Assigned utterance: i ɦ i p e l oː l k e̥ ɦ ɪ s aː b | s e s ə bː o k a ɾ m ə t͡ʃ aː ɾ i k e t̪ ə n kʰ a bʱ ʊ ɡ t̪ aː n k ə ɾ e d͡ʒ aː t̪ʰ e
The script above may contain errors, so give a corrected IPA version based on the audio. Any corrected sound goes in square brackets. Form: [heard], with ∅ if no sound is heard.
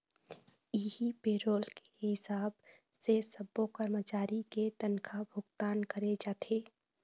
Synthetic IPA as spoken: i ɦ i p e [ɾ] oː l k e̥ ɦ ɪ s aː b | s e s ə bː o k [ə] ɾ m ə t͡ʃ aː ɾ i k e t̪ ə n kʰ a bʱ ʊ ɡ t̪ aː n k ə ɾ e d͡ʒ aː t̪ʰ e